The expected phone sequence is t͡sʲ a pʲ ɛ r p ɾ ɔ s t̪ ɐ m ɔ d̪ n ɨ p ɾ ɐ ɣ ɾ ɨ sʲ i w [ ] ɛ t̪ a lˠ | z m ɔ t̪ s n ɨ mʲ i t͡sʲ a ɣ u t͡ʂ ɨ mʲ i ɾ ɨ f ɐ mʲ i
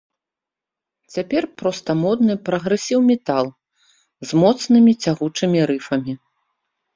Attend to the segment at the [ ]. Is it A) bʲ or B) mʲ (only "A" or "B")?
B